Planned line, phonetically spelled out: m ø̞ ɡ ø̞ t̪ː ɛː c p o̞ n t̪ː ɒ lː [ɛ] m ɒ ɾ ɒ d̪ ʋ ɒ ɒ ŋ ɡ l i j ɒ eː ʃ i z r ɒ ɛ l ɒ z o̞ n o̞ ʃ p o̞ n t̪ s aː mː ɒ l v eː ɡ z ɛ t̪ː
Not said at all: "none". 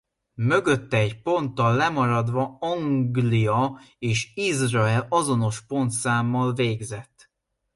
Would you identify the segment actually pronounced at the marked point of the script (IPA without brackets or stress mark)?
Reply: ɛ